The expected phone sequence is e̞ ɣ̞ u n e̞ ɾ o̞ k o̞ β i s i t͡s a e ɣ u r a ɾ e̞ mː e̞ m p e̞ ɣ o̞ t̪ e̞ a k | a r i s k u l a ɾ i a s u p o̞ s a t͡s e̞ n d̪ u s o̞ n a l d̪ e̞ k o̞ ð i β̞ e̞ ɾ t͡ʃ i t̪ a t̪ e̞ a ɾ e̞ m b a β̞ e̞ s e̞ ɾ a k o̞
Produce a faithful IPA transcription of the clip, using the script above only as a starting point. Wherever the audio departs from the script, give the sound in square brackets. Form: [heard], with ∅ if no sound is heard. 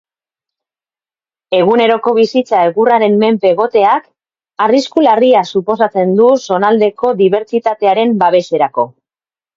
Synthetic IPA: e̞ ɣ̞ u n e̞ ɾ o̞ k o̞ β i s i t͡s a e ɣ u r a ɾ e̞ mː e̞ m p e̞ ɣ o̞ t̪ e̞ a k | a r i s k u l a [r] i a s u p o̞ s a t͡s e̞ n d̪ u s o̞ n a l d̪ e̞ k o̞ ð i β̞ e̞ ɾ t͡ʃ i t̪ a t̪ e̞ a ɾ e̞ m b a β̞ e̞ s e̞ ɾ a k o̞